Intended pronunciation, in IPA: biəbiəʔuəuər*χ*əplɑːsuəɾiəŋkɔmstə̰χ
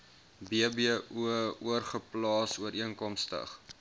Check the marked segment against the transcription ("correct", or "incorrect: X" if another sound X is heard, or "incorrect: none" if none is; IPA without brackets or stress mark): correct